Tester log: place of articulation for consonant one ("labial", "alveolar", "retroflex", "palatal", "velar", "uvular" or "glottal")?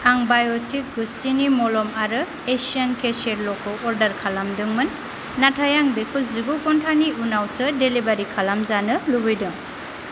velar